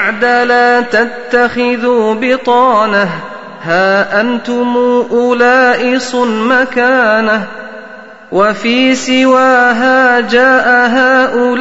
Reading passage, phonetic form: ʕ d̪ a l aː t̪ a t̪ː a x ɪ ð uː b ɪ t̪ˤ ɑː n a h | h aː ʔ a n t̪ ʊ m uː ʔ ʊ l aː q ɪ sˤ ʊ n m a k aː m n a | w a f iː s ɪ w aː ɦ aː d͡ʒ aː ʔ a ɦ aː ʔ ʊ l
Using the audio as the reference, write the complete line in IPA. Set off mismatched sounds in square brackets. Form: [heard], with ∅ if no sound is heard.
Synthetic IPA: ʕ d̪ a l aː t̪ a t̪ː a x ɪ ð uː b ɪ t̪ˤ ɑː n a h | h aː ʔ a n t̪ ʊ m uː ʔ ʊ l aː [ʔ] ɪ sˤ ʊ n m a k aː [∅] n a | w a f iː s ɪ w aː ɦ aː d͡ʒ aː ʔ a ɦ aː ʔ ʊ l